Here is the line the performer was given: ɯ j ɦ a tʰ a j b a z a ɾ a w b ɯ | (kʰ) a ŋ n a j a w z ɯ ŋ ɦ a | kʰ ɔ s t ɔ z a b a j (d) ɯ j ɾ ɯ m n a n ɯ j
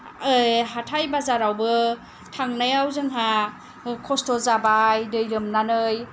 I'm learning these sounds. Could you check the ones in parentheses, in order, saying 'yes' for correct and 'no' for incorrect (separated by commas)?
no, yes